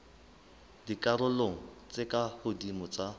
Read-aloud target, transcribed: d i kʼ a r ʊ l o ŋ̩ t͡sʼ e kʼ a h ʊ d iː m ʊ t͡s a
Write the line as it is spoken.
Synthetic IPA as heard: d i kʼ a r ʊ l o ŋ̩ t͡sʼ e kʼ a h ʊ d i m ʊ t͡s a